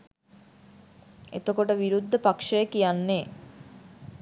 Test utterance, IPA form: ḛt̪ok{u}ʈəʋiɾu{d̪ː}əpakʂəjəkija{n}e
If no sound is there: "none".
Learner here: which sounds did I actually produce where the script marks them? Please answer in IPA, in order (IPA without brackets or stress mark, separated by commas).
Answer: o, d̪ː, nː